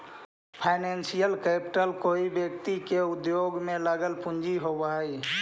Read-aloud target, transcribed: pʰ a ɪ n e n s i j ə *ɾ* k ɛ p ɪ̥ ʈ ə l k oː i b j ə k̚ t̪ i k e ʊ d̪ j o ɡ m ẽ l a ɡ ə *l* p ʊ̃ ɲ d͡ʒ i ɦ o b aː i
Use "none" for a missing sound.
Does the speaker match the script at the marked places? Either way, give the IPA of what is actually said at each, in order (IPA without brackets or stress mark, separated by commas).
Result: l, l